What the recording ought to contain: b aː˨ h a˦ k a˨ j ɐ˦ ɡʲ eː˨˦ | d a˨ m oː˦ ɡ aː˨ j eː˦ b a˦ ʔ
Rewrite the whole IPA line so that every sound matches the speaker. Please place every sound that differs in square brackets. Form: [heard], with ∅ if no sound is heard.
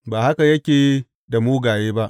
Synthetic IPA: b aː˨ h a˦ k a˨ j ɐ˦ [kʲ] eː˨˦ | d a˨ m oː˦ ɡ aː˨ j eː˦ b a˦ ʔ